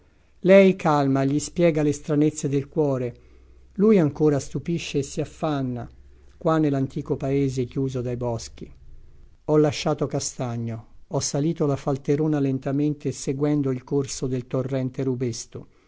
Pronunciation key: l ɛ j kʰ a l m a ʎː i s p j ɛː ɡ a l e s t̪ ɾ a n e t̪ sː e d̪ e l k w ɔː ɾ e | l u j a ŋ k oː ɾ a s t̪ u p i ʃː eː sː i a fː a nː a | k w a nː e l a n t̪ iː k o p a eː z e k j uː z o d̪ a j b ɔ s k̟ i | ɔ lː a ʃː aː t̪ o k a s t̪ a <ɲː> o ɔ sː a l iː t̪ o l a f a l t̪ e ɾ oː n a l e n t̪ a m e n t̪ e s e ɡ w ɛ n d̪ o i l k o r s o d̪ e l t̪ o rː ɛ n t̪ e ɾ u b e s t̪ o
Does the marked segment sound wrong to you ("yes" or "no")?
no